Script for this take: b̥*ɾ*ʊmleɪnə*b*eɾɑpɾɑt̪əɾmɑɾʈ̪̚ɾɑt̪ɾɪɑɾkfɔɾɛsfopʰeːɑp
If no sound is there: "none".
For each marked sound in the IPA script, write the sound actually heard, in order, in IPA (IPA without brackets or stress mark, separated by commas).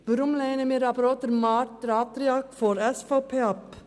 ɾ, m